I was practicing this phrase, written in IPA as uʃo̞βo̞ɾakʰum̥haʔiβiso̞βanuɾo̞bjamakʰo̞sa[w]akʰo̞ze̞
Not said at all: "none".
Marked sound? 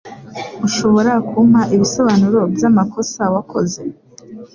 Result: w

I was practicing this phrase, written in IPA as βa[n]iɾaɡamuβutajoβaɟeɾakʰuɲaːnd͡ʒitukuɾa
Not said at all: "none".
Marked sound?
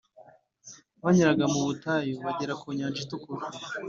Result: ɲ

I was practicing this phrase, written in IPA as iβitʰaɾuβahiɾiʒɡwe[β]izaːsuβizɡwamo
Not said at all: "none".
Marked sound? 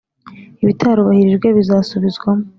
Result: β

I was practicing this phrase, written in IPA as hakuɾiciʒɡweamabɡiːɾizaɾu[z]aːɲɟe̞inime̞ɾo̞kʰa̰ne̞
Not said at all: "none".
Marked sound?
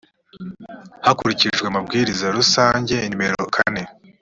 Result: s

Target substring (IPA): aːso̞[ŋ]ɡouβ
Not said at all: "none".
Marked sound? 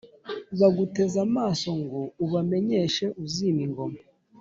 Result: ŋ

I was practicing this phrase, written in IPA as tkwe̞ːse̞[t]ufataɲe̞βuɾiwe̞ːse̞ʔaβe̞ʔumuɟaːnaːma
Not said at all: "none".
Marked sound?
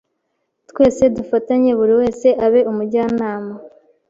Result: d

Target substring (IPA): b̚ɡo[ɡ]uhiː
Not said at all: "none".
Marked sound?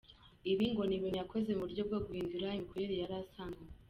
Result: ɡ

